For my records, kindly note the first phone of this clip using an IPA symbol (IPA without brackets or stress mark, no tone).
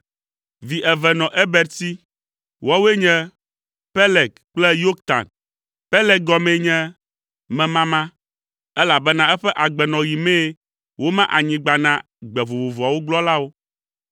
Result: v